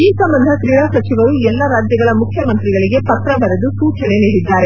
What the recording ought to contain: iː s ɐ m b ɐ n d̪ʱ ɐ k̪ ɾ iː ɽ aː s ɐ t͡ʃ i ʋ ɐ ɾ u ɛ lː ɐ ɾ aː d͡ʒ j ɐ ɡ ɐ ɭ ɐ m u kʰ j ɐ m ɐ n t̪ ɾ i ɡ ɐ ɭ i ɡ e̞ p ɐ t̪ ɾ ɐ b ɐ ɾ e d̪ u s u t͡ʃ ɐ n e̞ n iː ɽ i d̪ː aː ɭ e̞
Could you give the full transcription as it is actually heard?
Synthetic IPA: iː s ɐ m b ɐ n d̪ʱ ɐ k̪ ɾ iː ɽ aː s ɐ t͡ʃ i ʋ ɐ ɾ u ɛ lː ɐ ɾ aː d͡ʒ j ɐ ɡ ɐ ɭ ɐ m u kʰ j ɐ m ɐ n t̪ ɾ i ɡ ɐ ɭ i ɡ e̞ p ɐ t̪ ɾ ɐ b ɐ ɾ e d̪ u s uː t͡ʃ ɐ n e̞ n iː ɽ i d̪ː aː ɾ e̞